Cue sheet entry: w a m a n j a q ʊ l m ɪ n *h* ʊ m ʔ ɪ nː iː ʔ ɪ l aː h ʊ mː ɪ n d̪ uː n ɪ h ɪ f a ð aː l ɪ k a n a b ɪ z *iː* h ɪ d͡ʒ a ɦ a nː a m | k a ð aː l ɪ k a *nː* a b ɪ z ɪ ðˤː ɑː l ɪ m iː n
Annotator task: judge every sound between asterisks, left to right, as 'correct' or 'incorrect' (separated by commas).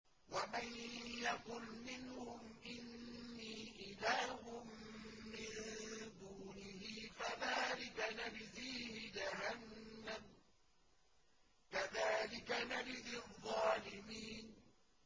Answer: correct, correct, incorrect